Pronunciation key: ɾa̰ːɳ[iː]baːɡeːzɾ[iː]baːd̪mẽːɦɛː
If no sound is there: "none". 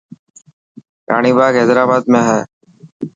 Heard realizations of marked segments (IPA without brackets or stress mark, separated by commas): iː, aː